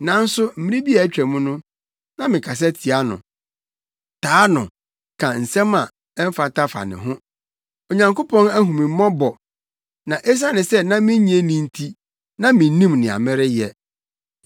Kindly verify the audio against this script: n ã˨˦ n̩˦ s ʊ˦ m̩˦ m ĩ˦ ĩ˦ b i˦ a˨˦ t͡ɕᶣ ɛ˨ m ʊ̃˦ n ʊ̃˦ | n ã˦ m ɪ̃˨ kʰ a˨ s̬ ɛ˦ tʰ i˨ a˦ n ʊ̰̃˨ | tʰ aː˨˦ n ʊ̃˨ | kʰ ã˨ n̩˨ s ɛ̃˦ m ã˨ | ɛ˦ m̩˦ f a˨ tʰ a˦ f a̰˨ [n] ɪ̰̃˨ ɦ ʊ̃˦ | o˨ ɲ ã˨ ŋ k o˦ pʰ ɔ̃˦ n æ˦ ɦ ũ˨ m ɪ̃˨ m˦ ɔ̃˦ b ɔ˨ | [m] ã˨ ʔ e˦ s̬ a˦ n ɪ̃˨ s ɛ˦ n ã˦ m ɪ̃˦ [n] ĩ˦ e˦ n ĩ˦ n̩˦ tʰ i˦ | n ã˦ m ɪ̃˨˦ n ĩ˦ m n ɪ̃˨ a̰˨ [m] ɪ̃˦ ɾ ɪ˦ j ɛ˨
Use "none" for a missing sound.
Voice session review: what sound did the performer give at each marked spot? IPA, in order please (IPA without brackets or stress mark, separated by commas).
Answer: n, n, ɲ, m